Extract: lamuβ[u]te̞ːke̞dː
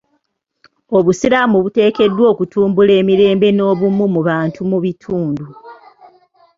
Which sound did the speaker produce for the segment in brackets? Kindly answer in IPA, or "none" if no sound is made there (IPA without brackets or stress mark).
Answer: u